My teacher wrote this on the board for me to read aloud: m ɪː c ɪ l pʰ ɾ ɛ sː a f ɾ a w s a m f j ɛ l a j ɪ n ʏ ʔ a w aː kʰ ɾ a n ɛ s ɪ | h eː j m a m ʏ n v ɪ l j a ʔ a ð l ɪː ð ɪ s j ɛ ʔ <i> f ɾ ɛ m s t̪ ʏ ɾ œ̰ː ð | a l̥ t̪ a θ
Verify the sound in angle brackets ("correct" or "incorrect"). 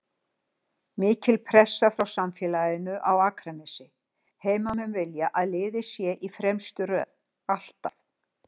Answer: correct